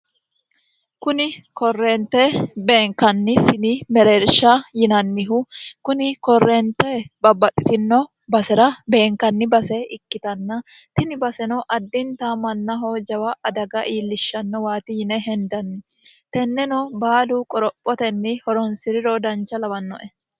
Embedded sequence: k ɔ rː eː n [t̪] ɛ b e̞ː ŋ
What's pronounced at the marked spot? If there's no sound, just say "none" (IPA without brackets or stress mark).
t̪